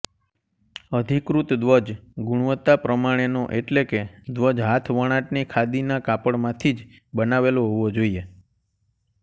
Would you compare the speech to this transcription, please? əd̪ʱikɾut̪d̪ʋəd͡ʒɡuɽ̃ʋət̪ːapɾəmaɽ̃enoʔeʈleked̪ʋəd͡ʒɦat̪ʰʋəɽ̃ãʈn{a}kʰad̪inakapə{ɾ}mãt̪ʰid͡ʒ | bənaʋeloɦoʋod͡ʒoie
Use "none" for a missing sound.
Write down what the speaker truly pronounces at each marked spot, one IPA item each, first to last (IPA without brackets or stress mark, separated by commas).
i, ɽ